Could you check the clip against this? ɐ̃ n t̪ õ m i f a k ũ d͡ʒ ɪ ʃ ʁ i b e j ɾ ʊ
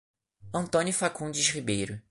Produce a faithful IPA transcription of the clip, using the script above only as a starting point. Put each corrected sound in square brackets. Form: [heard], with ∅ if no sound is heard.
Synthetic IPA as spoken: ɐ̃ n t̪ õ [n] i f a k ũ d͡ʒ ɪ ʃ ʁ i b e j ɾ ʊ